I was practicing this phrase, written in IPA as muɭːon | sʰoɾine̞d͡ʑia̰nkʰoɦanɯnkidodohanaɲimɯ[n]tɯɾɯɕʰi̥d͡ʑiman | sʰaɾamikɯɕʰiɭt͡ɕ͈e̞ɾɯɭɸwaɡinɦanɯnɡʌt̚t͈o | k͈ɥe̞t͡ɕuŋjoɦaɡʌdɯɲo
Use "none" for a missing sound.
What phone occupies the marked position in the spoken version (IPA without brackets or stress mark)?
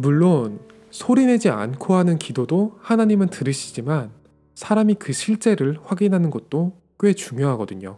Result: n